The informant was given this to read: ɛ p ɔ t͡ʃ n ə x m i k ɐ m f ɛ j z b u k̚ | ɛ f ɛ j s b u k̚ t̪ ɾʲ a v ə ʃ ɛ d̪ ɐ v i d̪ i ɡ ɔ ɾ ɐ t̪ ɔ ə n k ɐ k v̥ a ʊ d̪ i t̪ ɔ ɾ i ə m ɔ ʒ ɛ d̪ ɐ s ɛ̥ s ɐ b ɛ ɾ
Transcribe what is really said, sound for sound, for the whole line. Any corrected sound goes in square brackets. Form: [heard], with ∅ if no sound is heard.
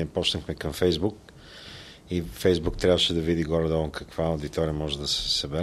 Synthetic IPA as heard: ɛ p ɔ t͡ʃ n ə x m [ɛ] k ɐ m f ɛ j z b u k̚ | [i] f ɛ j [z] b u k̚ t̪ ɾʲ a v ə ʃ ɛ d̪ ɐ v i d̪ i ɡ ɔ ɾ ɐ [d̪] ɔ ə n k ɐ k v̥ a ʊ d̪ i t̪ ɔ ɾ i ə m ɔ ʒ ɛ d̪ ɐ s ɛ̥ s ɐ b ɛ ɾ